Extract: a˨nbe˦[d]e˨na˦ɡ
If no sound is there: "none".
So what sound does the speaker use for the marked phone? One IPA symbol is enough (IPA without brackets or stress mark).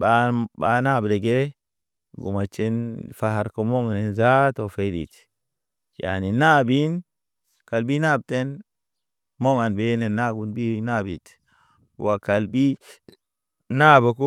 n